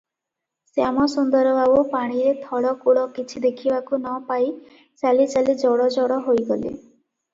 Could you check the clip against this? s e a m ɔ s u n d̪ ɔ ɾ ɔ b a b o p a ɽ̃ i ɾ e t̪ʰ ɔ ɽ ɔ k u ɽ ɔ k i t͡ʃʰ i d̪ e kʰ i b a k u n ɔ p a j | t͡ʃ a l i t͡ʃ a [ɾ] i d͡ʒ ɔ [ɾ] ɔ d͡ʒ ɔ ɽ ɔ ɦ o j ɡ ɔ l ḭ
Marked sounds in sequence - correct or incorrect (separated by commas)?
incorrect, incorrect